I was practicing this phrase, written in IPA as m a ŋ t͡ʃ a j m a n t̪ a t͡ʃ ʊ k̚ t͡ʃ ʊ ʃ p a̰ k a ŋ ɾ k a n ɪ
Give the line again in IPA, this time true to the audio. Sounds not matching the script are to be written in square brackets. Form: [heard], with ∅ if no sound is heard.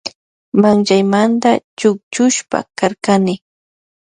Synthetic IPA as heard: m a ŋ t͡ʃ a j m a n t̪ a t͡ʃ ʊ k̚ t͡ʃ ʊ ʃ p a̰ k a [∅] ɾ k a n ɪ